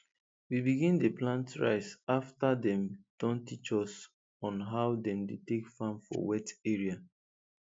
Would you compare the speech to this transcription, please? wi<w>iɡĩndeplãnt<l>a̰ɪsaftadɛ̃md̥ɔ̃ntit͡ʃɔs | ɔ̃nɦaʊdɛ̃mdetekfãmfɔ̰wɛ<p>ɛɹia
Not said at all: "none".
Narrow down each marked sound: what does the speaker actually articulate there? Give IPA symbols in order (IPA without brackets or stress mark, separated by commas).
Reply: b, ɹ, t